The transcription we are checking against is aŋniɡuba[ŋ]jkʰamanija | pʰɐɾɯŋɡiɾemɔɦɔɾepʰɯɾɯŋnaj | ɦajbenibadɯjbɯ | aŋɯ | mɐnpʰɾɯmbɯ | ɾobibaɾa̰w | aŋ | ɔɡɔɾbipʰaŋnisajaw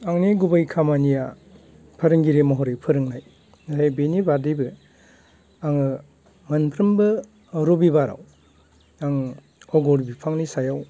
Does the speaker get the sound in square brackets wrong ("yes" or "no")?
yes